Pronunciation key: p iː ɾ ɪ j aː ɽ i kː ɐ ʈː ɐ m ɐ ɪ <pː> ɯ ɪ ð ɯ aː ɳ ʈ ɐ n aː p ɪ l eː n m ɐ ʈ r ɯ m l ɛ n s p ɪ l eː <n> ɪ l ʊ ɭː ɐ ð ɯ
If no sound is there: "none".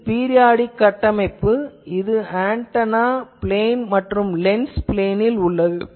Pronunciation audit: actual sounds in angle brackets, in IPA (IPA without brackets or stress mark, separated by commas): pː, n